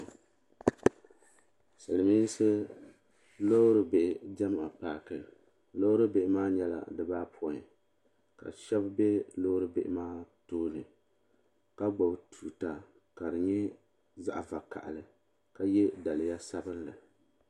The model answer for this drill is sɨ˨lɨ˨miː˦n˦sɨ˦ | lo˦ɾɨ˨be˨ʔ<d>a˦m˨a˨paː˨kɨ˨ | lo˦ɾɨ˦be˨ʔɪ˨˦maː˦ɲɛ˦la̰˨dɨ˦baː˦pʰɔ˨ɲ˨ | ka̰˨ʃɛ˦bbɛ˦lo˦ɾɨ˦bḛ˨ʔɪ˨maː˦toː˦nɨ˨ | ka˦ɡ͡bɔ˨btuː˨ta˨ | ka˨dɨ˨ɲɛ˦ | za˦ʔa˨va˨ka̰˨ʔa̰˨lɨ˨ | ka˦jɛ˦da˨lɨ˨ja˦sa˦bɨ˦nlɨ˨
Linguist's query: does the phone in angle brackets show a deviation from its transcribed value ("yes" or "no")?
yes